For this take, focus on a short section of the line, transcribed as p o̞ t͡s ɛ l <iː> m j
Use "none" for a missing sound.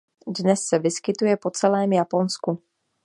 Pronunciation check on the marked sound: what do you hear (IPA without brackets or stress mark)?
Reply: ɛː